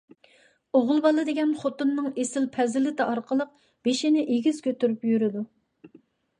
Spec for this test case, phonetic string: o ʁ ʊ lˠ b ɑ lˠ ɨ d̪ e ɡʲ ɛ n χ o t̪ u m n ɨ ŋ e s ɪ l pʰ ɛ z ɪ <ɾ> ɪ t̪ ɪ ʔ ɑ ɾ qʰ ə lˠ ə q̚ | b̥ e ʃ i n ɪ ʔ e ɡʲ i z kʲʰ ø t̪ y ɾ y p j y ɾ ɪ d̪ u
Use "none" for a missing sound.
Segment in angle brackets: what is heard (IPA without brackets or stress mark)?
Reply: l